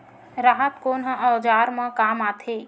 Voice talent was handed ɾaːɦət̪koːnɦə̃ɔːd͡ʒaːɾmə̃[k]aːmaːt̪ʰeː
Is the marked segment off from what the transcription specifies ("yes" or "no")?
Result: no